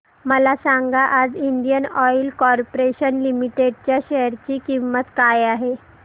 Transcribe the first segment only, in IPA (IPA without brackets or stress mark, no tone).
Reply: m